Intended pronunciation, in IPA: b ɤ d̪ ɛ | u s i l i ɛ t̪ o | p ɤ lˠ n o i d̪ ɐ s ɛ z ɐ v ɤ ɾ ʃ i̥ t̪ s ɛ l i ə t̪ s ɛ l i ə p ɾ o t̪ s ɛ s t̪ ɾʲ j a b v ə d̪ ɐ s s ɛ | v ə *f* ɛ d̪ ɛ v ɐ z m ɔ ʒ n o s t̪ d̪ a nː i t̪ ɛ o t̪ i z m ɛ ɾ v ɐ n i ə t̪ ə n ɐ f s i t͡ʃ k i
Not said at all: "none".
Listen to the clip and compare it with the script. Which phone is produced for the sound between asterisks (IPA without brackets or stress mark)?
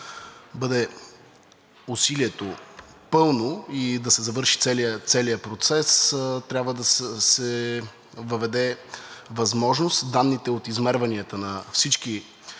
v